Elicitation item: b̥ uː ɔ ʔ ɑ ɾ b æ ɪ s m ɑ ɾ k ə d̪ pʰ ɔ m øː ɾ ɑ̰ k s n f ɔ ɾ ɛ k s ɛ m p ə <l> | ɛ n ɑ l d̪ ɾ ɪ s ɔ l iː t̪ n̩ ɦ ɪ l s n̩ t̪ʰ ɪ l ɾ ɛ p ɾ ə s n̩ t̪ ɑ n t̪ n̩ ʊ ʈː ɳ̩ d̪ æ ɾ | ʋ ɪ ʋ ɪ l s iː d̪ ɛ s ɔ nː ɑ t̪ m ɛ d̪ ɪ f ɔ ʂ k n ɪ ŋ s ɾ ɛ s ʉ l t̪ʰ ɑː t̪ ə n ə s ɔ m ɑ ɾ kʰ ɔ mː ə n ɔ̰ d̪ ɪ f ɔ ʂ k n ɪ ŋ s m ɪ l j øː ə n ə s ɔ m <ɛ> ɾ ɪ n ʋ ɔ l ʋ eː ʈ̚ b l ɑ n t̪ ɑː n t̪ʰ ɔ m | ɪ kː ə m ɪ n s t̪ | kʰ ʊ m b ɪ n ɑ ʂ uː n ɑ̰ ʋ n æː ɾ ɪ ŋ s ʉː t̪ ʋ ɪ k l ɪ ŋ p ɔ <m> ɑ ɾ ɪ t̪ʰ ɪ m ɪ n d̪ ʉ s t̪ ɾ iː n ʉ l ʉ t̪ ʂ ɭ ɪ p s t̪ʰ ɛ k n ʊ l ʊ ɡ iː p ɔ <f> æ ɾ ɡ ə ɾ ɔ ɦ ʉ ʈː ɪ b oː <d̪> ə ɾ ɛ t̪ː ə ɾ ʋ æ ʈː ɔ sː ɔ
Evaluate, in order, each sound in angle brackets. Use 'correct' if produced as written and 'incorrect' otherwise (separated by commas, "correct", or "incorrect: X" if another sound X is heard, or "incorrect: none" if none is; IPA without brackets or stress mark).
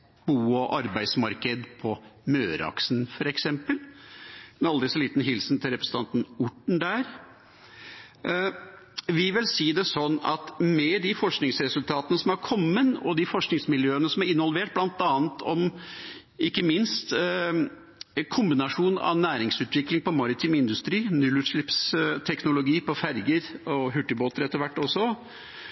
correct, incorrect: æ, correct, correct, incorrect: t̪